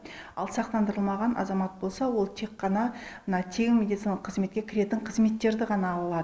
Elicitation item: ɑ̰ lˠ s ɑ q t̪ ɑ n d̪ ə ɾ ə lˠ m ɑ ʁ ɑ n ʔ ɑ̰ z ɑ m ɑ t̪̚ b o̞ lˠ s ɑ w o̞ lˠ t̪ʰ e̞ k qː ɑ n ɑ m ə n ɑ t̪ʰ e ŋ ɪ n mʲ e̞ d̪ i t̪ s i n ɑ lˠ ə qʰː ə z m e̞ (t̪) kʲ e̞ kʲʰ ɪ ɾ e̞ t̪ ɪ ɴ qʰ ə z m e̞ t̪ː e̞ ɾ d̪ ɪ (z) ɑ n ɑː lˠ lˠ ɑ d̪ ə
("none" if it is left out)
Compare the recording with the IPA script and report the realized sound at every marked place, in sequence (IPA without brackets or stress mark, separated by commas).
t̪, ʁ